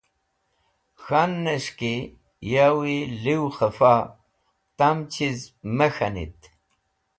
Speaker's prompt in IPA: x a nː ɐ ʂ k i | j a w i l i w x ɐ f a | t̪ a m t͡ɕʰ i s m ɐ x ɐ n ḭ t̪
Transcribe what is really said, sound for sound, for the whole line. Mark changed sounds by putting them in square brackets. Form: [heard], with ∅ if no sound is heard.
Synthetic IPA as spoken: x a nː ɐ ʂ k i | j a w i l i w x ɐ f a | t̪ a m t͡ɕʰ i [z] m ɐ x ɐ n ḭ t̪